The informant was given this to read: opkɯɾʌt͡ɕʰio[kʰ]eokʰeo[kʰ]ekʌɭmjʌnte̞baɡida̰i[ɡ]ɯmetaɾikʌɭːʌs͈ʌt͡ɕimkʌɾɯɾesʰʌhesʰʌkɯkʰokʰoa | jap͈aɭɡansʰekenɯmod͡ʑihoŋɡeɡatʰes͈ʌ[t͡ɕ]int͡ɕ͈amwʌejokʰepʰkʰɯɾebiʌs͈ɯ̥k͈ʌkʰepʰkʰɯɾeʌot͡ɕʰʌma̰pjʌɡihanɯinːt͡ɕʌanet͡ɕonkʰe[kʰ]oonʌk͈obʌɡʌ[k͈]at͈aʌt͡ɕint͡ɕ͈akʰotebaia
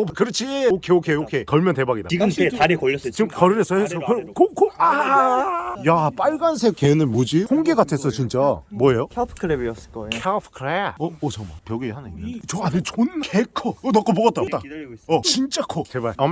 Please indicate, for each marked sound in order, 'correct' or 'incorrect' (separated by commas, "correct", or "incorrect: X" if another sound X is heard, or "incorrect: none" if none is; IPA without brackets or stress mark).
correct, correct, correct, correct, correct, incorrect: t͈